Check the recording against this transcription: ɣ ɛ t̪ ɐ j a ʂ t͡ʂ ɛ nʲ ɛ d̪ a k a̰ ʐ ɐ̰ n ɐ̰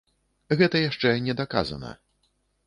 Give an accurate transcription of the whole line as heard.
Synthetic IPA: ɣ ɛ t̪ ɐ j a ʂ t͡ʂ ɛ nʲ ɛ d̪ a k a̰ z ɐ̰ n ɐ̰